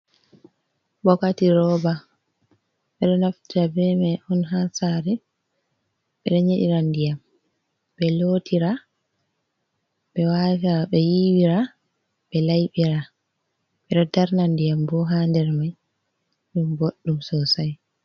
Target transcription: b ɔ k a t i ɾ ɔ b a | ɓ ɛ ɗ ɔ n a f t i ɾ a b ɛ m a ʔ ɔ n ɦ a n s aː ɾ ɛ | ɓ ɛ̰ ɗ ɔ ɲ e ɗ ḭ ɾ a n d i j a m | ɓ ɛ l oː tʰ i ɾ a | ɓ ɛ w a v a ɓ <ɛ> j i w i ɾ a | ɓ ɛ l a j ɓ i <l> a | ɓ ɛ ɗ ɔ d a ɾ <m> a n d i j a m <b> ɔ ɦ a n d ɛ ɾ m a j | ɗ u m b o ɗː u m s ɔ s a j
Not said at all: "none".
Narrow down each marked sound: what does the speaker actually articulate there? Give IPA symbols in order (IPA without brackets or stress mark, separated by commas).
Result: ɛ, ɾ, n, b